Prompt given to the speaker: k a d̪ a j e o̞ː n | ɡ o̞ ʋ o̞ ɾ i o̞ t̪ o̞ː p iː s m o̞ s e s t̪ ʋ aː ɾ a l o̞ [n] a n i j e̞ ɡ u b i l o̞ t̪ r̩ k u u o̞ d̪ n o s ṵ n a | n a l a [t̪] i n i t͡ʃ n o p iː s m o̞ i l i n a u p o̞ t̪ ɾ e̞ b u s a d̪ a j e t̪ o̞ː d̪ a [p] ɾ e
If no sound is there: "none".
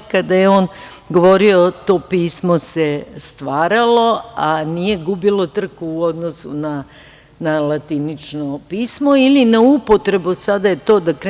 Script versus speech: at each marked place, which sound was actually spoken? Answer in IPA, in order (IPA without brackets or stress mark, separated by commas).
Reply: none, t̪, k